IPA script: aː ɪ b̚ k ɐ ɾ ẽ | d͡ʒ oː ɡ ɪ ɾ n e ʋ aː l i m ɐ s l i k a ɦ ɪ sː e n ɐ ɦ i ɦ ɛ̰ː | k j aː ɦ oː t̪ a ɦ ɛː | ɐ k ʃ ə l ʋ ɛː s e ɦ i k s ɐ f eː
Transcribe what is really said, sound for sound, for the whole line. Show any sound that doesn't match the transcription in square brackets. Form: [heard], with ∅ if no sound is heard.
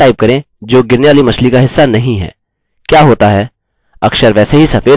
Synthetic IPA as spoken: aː ɪ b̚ k ɐ ɾ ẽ | d͡ʒ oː ɡ ɪ ɾ n e ʋ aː l i m ɐ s l i k a ɦ ɪ sː [a] n ɐ ɦ [ĩ] ɦ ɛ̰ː | k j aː ɦ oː t̪ a ɦ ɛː | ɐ k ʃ ə [ɾ] ʋ ɛː s e ɦ i [∅] s ɐ f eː